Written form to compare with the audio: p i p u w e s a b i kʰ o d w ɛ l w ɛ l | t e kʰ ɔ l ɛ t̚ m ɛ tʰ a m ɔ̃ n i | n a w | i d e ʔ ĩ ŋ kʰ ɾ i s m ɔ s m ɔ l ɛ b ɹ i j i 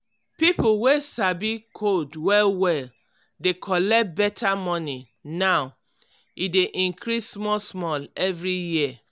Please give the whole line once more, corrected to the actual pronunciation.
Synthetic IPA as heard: p i p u w e s a b i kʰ o d w ɛ l w ɛ l | d e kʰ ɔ l ɛ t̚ b ɛ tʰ a m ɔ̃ n i | n a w | i d e ʔ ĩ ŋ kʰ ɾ i s m ɔ s m ɔ l ɛ v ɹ i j i